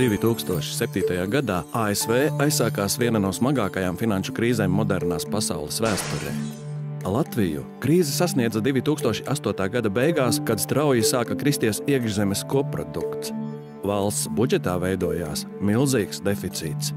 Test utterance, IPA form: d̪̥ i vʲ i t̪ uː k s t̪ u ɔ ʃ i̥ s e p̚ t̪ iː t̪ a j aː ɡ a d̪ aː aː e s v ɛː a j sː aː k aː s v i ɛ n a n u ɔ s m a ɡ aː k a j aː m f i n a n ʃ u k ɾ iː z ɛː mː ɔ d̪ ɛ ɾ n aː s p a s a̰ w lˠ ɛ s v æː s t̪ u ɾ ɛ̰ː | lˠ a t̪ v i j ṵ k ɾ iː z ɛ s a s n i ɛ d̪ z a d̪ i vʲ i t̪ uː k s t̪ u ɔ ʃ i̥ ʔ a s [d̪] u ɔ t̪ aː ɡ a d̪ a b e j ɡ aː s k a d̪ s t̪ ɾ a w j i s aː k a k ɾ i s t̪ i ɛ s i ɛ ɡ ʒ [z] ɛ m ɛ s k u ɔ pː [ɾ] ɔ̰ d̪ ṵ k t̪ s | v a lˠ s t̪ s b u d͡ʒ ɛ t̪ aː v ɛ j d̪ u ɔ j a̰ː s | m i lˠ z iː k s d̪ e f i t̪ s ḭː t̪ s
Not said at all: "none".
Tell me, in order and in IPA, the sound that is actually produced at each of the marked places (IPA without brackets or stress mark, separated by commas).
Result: t̪, z, ɾ